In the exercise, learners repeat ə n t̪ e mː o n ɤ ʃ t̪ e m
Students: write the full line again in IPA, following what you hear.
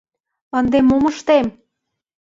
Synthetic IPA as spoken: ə n d̪ e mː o m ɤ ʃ t̪ e m